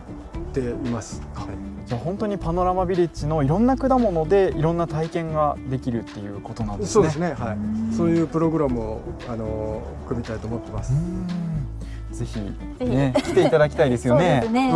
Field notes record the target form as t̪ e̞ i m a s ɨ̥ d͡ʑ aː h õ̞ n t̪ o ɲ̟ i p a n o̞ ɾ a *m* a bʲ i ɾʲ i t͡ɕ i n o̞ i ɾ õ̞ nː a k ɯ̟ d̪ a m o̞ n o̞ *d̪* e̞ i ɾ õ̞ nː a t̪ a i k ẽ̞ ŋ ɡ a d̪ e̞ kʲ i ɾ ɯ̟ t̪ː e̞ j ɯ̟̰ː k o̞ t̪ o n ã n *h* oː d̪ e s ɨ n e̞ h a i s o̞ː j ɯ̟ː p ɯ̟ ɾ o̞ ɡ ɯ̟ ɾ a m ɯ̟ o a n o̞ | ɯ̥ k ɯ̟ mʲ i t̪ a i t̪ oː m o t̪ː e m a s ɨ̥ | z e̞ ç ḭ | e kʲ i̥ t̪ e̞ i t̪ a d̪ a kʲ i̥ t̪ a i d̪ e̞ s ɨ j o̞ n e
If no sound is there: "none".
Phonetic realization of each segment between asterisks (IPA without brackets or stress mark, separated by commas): m, d̪, s